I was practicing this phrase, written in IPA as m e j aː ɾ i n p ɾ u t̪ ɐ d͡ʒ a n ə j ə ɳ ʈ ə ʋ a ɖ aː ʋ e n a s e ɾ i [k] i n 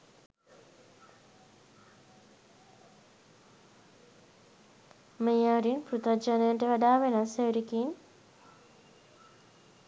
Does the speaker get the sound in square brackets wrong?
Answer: no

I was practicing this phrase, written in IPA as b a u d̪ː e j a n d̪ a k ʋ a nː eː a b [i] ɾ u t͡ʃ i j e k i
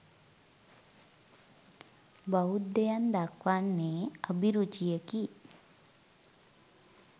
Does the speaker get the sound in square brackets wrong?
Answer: no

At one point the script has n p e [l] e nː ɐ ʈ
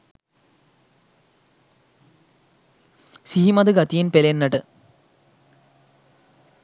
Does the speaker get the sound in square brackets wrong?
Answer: no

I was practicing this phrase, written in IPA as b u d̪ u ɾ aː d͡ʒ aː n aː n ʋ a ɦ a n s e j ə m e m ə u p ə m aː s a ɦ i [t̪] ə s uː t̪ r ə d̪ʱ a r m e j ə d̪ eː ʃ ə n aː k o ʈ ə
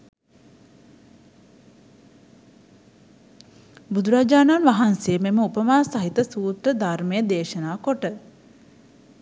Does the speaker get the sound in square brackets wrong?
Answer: no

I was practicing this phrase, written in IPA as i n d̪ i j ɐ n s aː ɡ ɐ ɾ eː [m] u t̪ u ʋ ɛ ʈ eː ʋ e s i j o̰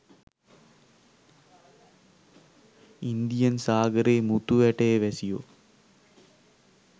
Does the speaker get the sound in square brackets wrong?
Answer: no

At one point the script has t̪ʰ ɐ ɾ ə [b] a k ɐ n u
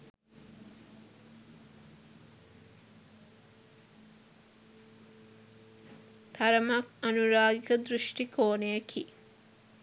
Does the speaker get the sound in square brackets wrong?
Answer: yes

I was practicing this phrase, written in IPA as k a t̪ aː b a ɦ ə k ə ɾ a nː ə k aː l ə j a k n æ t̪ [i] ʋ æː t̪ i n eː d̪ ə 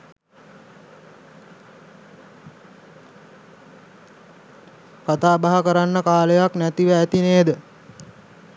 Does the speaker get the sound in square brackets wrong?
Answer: no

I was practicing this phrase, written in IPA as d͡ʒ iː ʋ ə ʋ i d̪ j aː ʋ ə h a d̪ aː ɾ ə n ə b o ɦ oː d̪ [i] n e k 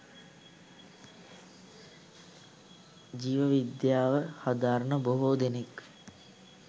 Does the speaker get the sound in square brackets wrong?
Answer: yes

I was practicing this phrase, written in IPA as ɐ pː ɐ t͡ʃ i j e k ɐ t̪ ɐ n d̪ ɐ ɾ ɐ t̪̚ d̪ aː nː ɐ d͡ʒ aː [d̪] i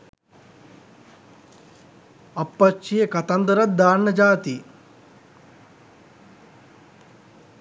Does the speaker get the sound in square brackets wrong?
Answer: yes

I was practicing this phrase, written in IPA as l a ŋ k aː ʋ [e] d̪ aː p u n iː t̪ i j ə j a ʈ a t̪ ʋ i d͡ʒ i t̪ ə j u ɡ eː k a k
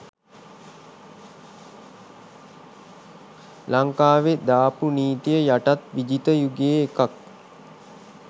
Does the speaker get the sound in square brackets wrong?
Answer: no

